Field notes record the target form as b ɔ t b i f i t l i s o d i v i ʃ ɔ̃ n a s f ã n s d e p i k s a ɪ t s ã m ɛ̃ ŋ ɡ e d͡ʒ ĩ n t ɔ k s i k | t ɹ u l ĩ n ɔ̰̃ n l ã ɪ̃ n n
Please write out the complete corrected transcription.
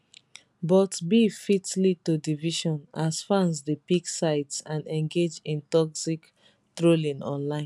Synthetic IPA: b ɔ t b i f i t l i t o d i v i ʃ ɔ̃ n a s f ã n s d e p i k s a ɪ t s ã n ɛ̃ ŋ ɡ e d͡ʒ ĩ n t ɔ k s i k | t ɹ o l ĩ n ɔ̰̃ n l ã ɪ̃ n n